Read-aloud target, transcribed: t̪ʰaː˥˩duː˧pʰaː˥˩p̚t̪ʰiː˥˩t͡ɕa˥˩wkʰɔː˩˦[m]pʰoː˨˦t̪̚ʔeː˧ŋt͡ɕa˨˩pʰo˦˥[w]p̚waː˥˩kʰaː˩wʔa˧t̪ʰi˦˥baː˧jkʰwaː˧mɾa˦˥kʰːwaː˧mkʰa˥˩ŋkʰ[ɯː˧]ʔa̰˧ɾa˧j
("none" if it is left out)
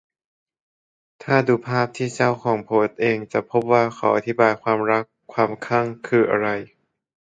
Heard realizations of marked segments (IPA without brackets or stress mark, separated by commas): ŋ, none, ɯː˧